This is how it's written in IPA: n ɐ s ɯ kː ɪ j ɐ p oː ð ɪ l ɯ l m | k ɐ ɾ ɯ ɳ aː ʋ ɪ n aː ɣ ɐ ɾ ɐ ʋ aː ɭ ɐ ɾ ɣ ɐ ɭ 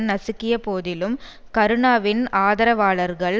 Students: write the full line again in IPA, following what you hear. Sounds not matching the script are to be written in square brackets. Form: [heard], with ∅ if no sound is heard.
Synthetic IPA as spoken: n ɐ s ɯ kː ɪ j ɐ p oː ð ɪ l ɯ [∅] m | k ɐ ɾ ɯ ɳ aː ʋ ɪ n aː [ð] ɐ ɾ ɐ ʋ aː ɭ ɐ ɾ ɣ ɐ ɭ